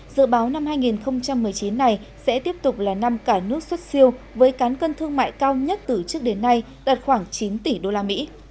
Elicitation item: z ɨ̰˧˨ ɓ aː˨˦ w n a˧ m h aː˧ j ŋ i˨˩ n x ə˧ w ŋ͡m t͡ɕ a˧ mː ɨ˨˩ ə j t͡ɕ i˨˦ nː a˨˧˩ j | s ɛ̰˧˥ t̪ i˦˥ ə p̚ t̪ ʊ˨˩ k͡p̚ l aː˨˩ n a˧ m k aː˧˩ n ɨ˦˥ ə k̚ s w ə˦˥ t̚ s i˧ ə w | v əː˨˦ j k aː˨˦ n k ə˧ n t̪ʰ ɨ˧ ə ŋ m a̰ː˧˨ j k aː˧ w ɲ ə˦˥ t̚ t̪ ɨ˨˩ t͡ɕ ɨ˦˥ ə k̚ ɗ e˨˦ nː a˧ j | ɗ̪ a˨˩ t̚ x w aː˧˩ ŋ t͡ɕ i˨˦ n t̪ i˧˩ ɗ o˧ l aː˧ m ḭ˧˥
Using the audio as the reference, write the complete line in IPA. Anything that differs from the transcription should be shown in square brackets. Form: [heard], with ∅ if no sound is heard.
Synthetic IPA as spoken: z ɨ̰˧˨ ɓ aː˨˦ w n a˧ m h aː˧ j ŋ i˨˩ n x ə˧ w ŋ͡m t͡ɕ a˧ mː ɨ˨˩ ə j t͡ɕ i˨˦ nː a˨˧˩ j | s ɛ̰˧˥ t̪ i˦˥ ə p̚ t̪ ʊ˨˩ k͡p̚ l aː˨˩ n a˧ m k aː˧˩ n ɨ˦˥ ə k̚ s w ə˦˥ t̚ s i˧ ə w | v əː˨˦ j k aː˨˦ n k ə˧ n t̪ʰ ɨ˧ ə ŋ m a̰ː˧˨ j k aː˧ w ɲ ə˦˥ t̚ t̪ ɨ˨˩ t͡ɕ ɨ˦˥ ə k̚ ɗ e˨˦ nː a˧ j | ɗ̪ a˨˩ t̚ x w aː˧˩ ŋ t͡ɕ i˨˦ n t̪ i˧˩ ɗ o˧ l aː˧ m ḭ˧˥